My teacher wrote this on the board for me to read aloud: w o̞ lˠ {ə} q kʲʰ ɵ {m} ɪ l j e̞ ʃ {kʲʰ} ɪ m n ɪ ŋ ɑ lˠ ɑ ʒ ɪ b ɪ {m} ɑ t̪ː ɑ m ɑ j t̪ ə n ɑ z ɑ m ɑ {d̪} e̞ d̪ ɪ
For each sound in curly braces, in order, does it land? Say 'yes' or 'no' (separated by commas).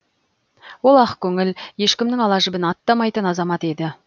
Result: no, no, no, no, no